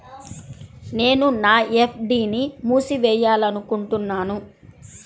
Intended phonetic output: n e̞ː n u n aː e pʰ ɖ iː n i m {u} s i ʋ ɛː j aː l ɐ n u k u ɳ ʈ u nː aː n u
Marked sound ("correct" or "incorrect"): incorrect